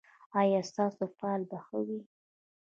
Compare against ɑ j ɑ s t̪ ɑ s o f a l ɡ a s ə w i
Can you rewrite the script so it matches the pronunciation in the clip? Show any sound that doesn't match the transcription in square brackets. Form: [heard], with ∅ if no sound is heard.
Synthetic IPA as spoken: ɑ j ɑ s t̪ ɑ s o f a l [b] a [x] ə w i